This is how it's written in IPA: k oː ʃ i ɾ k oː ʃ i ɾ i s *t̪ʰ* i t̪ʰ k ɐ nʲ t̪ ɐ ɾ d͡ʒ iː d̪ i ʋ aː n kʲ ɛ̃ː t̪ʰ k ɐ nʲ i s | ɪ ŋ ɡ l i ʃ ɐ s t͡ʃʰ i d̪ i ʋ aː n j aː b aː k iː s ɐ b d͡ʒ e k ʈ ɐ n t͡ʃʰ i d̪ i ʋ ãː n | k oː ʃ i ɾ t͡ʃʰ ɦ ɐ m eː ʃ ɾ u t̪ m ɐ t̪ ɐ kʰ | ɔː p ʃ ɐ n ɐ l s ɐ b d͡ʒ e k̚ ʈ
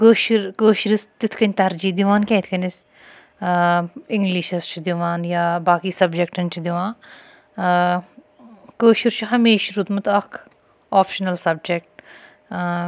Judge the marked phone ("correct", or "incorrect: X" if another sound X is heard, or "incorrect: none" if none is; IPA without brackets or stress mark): incorrect: t̪